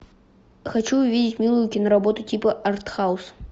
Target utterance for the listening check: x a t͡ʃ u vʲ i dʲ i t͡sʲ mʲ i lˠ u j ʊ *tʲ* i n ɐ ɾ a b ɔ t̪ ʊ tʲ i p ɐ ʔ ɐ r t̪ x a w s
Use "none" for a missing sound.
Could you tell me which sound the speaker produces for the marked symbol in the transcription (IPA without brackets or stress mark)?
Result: kʲ